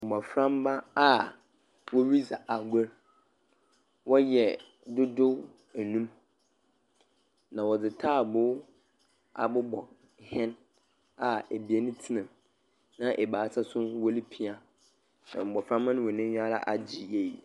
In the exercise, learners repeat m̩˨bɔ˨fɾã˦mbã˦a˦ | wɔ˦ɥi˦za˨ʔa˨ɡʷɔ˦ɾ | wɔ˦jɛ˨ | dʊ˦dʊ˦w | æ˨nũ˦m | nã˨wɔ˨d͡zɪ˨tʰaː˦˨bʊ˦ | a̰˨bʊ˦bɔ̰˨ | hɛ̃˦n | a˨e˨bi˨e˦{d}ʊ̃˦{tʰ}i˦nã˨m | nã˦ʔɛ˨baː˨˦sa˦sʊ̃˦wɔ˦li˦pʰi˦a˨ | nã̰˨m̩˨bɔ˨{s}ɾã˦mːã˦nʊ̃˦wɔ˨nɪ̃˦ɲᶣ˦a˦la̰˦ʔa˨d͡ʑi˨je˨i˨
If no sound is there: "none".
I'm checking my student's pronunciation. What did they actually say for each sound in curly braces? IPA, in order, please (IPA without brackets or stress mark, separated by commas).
n, tʰ, f